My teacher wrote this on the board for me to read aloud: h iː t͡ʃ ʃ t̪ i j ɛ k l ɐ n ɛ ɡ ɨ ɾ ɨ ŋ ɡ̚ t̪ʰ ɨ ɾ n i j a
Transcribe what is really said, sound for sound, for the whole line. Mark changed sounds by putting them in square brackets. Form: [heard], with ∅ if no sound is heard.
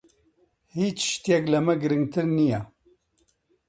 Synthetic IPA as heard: h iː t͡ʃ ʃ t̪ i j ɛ k l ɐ [m] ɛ ɡ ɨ ɾ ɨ ŋ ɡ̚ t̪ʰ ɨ ɾ n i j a

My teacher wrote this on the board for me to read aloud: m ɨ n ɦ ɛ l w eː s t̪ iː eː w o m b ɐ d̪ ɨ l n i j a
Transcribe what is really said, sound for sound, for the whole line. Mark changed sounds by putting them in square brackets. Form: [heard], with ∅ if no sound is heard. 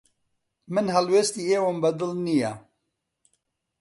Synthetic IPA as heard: m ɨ n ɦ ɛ l w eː s t̪ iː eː w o m b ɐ d̪ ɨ l n i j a

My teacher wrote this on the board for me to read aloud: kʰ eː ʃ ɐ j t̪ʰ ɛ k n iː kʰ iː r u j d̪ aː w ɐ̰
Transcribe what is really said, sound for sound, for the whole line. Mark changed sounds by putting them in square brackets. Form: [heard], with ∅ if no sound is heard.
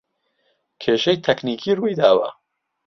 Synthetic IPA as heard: kʰ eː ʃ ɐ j t̪ʰ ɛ k n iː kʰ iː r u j d̪ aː w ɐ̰

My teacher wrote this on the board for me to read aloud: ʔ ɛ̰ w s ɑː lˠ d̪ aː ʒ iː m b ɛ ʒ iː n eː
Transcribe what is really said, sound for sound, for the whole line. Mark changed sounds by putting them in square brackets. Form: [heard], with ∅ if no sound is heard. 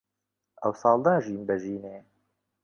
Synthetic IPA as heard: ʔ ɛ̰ w s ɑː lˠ d̪ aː ʒ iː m b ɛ ʒ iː n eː

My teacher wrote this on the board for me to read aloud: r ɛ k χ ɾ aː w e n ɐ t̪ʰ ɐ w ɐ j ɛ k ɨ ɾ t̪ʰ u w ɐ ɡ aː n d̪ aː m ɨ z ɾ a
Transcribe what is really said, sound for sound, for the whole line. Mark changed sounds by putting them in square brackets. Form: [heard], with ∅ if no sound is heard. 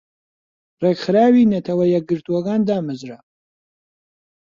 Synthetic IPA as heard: r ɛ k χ ɾ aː w [i] n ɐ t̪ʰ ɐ w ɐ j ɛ [ɡ] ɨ ɾ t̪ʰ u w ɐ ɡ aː n d̪ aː m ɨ z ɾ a

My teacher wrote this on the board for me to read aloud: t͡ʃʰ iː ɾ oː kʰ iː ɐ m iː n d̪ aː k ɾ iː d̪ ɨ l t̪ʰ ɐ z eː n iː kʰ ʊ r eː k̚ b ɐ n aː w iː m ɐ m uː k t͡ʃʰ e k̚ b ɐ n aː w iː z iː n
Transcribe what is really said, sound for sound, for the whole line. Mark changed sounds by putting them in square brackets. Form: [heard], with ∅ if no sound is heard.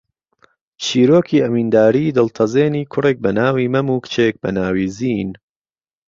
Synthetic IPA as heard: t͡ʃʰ iː ɾ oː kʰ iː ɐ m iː n d̪ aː [∅] ɾ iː d̪ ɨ l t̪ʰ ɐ z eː n iː kʰ ʊ r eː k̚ b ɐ n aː w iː m ɐ m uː k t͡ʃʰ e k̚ b ɐ n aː w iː z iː n

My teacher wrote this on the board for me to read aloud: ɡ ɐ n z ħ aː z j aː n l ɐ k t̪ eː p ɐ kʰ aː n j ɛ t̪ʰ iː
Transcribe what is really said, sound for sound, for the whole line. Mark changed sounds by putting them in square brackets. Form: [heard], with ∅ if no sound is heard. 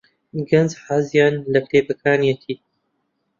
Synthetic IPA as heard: ɡ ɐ n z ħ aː z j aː n l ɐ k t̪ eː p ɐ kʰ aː n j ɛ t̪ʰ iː

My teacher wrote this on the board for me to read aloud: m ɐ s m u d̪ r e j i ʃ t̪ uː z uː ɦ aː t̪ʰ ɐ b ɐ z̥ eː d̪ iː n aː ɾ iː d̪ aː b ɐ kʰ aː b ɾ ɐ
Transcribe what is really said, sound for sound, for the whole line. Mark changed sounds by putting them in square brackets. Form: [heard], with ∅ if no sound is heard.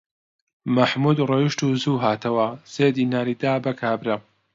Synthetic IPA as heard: m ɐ [ħ] m u d̪ r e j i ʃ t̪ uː z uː ɦ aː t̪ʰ ɐ [w] ɐ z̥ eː d̪ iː n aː ɾ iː d̪ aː b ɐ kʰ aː b ɾ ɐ

